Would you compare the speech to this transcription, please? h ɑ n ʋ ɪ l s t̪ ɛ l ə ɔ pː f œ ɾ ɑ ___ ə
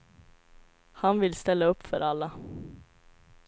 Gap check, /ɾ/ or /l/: l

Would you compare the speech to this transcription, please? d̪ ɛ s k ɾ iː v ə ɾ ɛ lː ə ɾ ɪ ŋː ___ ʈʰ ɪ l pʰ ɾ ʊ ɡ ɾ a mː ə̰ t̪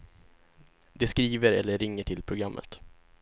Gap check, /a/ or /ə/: ə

